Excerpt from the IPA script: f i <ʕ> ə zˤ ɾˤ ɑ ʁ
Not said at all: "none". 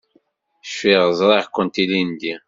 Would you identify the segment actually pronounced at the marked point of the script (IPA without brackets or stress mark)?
ʁ